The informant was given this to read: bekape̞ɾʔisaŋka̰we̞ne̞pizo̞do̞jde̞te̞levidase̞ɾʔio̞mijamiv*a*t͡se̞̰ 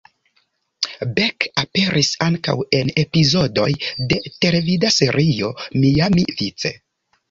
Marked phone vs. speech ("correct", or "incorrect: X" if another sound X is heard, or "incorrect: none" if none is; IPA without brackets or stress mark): incorrect: i